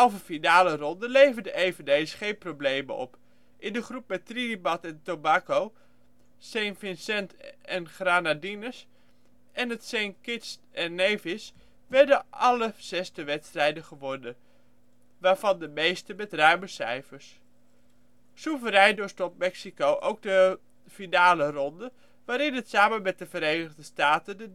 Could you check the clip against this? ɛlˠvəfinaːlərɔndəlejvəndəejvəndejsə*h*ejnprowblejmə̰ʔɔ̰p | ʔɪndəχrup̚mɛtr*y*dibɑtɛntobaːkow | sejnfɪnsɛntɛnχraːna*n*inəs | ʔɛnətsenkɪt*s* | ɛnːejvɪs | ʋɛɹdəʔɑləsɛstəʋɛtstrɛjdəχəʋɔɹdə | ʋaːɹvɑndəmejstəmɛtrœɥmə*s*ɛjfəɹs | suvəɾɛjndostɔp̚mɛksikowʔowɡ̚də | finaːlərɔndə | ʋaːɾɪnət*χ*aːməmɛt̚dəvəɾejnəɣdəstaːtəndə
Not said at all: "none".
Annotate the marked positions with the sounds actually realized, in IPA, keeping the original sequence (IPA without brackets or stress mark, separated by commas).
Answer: χ, i, d, s, s, s